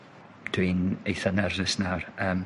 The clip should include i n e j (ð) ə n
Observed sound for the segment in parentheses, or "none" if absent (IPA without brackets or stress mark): θ